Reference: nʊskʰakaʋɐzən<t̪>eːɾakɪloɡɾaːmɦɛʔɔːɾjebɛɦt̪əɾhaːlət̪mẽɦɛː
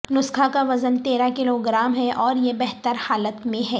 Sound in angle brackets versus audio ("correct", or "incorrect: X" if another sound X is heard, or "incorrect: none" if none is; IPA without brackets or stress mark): correct